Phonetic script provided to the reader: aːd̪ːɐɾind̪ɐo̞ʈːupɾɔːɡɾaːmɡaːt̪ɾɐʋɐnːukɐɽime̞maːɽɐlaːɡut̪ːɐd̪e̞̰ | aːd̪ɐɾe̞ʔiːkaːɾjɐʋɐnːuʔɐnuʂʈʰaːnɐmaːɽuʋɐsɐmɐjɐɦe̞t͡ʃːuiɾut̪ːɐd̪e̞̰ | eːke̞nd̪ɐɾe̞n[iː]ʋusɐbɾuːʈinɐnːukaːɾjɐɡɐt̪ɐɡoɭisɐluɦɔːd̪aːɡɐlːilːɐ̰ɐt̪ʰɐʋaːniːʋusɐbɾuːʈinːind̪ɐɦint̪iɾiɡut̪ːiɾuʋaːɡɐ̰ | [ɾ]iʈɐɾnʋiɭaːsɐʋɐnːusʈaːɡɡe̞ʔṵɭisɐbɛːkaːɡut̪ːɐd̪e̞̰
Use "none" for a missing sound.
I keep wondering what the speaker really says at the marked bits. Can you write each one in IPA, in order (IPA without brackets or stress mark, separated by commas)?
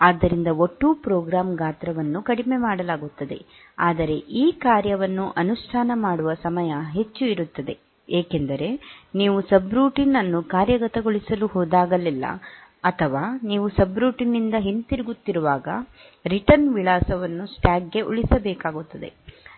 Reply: iː, ɾ